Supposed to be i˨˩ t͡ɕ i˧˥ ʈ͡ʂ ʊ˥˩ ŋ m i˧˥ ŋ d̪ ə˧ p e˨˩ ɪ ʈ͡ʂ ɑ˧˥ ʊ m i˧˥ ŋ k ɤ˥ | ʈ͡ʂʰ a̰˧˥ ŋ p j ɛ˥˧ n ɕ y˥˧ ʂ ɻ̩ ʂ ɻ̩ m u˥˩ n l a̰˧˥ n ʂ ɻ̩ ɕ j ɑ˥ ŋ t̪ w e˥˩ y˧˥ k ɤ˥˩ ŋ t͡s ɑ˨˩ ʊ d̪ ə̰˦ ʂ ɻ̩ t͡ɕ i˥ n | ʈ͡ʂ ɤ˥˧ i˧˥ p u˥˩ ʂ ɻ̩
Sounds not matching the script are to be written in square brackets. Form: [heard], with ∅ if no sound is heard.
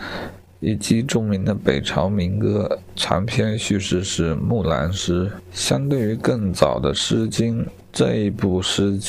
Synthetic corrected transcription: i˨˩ t͡ɕ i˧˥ ʈ͡ʂ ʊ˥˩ ŋ m i˧˥ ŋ d̪ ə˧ p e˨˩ ɪ [ʈ͡ʂʰ] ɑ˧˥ ʊ m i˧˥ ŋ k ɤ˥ | ʈ͡ʂʰ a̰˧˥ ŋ [pʰ] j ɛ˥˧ n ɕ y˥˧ ʂ ɻ̩ ʂ ɻ̩ m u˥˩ [∅] l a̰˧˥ n ʂ ɻ̩ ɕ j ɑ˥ ŋ t̪ w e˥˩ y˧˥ k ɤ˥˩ ŋ t͡s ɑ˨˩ ʊ d̪ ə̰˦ ʂ ɻ̩ t͡ɕ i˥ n | ʈ͡ʂ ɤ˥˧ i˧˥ p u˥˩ ʂ ɻ̩